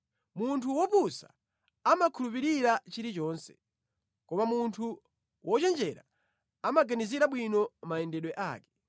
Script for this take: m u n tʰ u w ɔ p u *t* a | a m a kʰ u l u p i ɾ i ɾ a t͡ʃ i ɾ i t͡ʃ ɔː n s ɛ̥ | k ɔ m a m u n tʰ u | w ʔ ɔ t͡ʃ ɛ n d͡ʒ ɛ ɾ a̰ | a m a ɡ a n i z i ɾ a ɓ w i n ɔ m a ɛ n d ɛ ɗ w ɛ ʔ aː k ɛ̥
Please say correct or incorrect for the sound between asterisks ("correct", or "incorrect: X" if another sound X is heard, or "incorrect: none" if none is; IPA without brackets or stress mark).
incorrect: s